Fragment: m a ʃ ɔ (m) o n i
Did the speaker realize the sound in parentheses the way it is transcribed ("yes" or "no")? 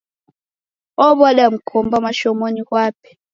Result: yes